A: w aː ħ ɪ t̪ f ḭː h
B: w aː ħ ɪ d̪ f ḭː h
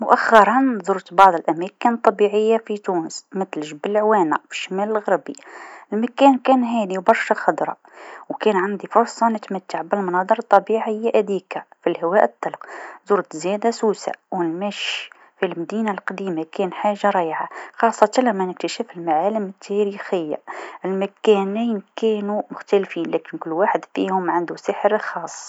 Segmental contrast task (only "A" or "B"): B